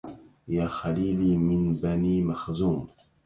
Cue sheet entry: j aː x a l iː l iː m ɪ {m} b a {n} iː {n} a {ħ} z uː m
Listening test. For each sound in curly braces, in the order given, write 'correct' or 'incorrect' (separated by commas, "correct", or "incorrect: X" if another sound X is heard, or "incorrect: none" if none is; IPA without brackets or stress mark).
incorrect: n, correct, incorrect: m, incorrect: x